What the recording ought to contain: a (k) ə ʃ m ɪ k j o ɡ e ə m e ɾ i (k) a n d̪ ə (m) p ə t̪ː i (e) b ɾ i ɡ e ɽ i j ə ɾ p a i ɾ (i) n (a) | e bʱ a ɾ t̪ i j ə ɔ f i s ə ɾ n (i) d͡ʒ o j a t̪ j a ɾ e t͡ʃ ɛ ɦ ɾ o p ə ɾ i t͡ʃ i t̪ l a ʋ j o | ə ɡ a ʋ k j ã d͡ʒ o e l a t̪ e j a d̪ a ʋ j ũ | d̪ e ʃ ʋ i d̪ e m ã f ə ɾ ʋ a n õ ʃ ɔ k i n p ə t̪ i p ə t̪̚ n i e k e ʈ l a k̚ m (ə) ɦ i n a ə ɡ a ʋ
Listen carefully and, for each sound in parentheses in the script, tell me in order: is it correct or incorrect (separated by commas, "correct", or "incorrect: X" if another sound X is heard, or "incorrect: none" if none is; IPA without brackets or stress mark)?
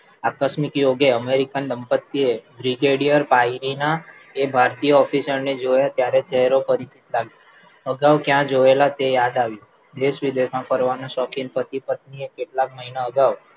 correct, correct, correct, correct, correct, correct, incorrect: e, correct